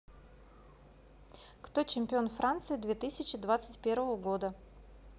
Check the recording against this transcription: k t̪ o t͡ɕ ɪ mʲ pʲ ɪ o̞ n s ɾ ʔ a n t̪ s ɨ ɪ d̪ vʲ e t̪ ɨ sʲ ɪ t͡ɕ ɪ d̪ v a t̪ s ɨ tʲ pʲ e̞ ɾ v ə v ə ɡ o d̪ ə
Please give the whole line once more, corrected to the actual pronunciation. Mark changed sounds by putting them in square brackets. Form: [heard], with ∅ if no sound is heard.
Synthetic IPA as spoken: k t̪ o t͡ɕ ɪ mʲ pʲ ɪ o̞ n [f] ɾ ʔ a n t̪ s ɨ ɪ d̪ vʲ e t̪ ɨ sʲ ɪ t͡ɕ ɪ d̪ v a t̪ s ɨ tʲ pʲ e̞ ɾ v ə v ə ɡ o d̪ ə